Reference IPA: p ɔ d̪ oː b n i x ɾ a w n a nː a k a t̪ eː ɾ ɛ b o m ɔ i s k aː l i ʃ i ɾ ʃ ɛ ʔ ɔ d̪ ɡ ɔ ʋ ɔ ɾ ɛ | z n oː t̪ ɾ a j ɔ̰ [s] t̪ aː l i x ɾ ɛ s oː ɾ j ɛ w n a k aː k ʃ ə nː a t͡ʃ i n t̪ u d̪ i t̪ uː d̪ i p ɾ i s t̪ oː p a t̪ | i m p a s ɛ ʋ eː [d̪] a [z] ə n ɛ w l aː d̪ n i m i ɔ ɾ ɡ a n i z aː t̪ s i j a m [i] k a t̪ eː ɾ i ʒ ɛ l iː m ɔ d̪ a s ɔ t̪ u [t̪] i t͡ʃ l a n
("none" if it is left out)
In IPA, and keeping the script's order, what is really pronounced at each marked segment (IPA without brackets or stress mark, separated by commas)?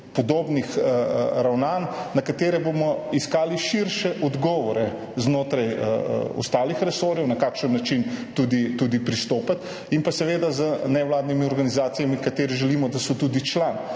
s, d̪, z, i, d̪